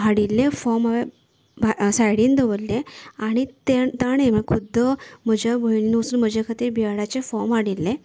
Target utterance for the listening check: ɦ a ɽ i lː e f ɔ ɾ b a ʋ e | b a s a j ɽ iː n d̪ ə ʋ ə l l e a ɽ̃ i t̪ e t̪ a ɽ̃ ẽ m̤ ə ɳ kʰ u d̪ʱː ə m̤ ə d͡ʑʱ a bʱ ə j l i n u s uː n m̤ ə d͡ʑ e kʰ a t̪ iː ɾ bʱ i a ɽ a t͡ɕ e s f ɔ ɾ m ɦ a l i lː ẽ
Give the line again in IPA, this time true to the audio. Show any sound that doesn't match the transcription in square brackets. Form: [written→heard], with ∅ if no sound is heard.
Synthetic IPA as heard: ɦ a ɽ i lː e f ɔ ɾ [b→m] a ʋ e | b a s a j ɽ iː n d̪ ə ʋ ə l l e a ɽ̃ i t̪ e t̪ a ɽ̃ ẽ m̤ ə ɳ kʰ u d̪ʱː ə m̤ ə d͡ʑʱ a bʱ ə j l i n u s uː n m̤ ə d͡ʑ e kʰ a t̪ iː ɾ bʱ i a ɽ a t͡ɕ e [s→∅] f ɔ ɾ m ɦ a [l→ɽ] i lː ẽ